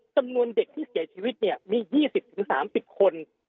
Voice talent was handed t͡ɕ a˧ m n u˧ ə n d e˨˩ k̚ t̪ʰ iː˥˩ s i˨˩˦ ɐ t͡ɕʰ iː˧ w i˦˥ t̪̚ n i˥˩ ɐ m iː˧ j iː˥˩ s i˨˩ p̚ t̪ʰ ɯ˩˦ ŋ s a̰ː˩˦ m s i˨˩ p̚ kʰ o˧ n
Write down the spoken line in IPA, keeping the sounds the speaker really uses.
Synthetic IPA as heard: t͡ɕ a˧ m n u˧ ə n d e˨˩ k̚ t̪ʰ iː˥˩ s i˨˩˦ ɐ t͡ɕʰ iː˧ w i˦˥ t̪̚ n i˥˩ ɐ m iː˧ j iː˥˩ s i˨˩ p̚ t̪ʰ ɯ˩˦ ŋ s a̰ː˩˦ m s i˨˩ p̚ kʰ o˧ n